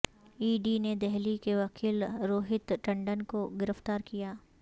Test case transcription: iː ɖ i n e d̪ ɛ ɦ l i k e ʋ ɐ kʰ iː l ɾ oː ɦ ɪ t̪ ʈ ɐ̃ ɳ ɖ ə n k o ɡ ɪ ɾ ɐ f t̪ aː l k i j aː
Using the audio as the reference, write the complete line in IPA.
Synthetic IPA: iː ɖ i n e d̪ ɛ ɦ l i k e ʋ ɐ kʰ iː l ɾ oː ɦ ɪ t̪ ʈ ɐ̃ ɳ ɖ ə n k o ɡ ɪ ɾ ə f t̪ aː ɾ k i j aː

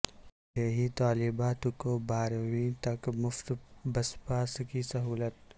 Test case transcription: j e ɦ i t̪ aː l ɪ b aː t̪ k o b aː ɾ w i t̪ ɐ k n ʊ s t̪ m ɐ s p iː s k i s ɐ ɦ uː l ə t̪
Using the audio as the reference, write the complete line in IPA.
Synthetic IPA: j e ɦ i t̪ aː l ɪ b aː t̪ k o b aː ɾ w i t̪ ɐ k m ʊ f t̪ b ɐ s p aː s k i s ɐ ɦ uː l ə t̪

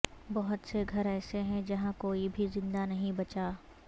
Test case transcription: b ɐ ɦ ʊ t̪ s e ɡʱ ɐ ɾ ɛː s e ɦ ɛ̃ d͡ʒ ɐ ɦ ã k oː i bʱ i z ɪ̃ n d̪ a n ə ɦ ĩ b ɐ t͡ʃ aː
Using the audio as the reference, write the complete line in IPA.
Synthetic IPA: b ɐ ɦ ʊ t̪ s e ɡʱ ɐ ɾ ɛː s e ɦ ɛ̃ d͡ʒ ɐ ɦ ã k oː i bʱ i z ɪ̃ n d̪ a n ɐ ɦ ĩ b ɐ t͡ʃ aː

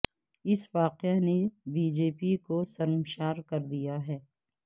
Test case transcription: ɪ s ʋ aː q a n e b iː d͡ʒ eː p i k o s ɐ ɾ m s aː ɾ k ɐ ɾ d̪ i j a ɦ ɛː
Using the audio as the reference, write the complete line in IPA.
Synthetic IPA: ɪ s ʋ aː q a n e b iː d͡ʒ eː p i k o s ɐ ɾ m ʃ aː ɾ k ɐ ɾ d̪ i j a ɦ ɛː

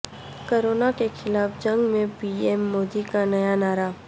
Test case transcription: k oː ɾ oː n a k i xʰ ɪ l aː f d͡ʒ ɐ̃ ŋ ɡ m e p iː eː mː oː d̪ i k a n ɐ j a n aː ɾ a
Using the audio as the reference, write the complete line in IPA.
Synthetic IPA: k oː ɾ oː n a k e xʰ ɪ l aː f d͡ʒ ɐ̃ ŋ ɡ m ẽ p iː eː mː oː d̪ i k a n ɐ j a n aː ɾ a

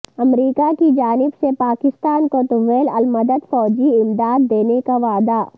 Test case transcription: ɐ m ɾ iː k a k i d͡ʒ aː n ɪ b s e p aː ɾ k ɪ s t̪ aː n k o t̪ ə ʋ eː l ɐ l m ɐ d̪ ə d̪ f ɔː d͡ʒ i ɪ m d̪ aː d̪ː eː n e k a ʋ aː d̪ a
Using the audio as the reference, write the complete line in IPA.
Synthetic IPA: ɐ m ɾ iː k a k i d͡ʒ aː n ɪ b s e p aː k ɪ s t̪ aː n k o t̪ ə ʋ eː l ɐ l m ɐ d̪ ə d̪ f ɔː d͡ʒ i ɪ m d̪ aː d̪ː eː n e k a ʋ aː d̪ a

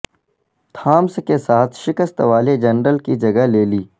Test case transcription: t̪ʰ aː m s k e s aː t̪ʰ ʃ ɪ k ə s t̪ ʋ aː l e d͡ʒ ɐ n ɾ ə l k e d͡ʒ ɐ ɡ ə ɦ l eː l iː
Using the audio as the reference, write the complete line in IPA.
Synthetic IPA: t̪ʰ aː m s k e s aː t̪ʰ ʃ ɪ k ə s t̪ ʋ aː l e d͡ʒ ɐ n ɾ ə l k i d͡ʒ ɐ ɡ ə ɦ l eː l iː

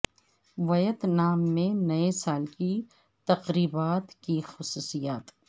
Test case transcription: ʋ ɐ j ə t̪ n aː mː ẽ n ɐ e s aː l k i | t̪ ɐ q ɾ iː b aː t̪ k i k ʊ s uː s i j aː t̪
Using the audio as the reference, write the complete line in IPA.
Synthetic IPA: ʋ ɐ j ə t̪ n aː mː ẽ n ɐ e s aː l k i | t̪ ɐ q ɾ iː b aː t̪ k i x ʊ s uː s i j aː t̪

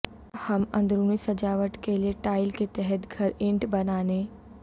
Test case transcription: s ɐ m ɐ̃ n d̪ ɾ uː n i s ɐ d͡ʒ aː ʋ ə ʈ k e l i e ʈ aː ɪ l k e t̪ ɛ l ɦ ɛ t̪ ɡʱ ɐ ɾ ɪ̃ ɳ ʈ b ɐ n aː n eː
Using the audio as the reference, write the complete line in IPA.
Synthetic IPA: h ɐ m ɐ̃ n d̪ ɾ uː n i s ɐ d͡ʒ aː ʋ ə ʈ k e l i e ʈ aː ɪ l k e t̪ ɛ ɦ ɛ t̪ ɡʱ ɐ ɾ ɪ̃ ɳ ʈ b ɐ n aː n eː

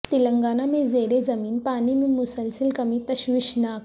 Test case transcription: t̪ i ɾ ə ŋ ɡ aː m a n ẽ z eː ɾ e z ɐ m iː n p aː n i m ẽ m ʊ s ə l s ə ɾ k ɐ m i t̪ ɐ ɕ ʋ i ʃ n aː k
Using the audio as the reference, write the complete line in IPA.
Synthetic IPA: t̪ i l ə ŋ ɡ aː n a m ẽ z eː ɾ e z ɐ m iː n p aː n i m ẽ m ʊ s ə l s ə l k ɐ m i t̪ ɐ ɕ ʋ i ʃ n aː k

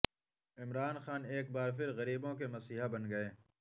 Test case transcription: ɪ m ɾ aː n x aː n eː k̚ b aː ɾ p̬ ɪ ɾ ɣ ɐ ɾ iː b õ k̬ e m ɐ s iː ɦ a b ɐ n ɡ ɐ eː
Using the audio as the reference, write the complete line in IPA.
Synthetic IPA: ɪ m ɾ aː n x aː n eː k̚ b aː ɾ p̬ ɪ ɾ ɣ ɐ ɾ iː b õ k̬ e m ɐ s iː ɦ a b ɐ n ɡ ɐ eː

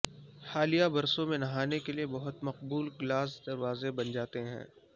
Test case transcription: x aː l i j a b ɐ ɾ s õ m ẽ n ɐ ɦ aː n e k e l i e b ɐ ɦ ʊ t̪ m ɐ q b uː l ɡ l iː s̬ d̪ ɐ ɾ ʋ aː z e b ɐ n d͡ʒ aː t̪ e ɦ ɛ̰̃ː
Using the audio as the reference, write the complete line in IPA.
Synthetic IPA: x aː l i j a b ɐ ɾ s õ m ẽ n ɐ ɦ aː n e k e l i e b ɐ ɦ ʊ t̪ m ɐ q b uː l ɡ l aː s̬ d̪ ɐ ɾ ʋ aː z e b ɐ n d͡ʒ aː t̪ e ɦ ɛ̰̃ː

